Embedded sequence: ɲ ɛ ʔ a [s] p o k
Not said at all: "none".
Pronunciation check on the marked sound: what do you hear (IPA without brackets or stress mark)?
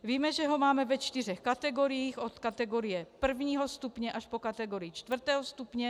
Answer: ʃ